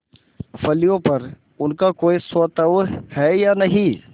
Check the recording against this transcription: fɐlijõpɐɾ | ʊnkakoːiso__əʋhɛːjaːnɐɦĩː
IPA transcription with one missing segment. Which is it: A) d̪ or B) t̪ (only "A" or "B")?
B